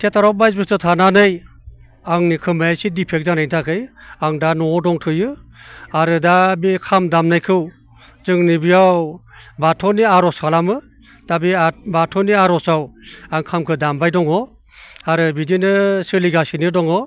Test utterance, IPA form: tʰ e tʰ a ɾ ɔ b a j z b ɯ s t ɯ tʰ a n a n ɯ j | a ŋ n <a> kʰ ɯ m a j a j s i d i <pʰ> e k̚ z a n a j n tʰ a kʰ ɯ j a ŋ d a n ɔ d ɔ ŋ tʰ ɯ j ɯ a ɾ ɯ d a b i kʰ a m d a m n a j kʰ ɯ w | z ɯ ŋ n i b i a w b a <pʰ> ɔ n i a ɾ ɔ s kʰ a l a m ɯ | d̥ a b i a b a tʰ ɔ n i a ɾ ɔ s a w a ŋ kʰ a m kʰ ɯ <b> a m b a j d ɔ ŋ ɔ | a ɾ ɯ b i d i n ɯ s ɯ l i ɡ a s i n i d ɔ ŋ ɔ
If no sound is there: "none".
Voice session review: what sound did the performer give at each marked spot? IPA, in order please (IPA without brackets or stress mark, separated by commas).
i, pʰ, tʰ, d